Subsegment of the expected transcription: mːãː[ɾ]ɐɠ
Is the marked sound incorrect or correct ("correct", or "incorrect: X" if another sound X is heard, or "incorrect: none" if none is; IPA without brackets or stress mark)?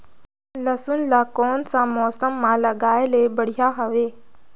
incorrect: l